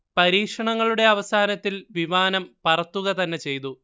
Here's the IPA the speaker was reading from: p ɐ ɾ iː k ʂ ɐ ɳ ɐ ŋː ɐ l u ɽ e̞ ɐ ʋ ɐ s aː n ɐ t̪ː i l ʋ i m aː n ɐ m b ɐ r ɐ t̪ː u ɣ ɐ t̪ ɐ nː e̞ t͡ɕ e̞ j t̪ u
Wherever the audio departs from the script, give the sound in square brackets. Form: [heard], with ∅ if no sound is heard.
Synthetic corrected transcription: p ɐ ɾ iː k ʂ ɐ ɳ ɐ ŋː ɐ [ɭ] u ɽ e̞ ɐ ʋ ɐ s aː n ɐ t̪ː i l ʋ i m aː n ɐ m [p] ɐ r ɐ t̪ː u ɣ ɐ t̪ ɐ nː e̞ t͡ɕ e̞ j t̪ u